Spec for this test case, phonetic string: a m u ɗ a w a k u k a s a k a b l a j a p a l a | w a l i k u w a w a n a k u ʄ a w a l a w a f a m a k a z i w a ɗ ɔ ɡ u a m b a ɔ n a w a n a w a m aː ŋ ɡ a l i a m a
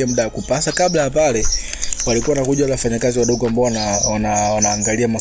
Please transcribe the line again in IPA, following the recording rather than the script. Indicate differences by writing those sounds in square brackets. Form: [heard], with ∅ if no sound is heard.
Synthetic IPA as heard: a m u ɗ a w a k u [p] a s a k a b l a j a p a l [ɛ] | w a l i k u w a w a n a k u ʄ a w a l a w a f a [ɲ] a k a z i w a ɗ ɔ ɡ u a m b a ɔ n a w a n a w a [n] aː ŋ ɡ a l i a m a